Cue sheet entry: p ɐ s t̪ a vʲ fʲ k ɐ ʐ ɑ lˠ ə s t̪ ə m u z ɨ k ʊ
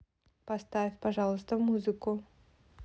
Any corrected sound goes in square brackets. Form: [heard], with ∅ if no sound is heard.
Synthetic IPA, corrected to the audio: p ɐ s t̪ a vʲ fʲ [p] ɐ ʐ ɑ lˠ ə s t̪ ə m u z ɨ k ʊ